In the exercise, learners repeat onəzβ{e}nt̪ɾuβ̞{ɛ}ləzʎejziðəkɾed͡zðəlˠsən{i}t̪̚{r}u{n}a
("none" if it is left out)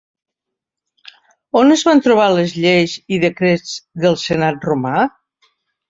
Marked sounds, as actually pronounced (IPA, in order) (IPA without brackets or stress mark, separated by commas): a, a, a, r, m